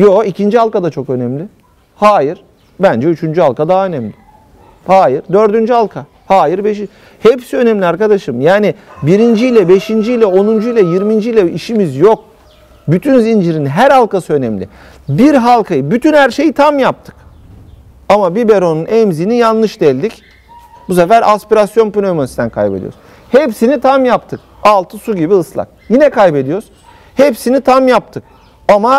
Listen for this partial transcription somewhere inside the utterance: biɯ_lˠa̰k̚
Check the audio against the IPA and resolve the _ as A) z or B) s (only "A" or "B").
B